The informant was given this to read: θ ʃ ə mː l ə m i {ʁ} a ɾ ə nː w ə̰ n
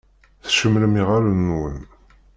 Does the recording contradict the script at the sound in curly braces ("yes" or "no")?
no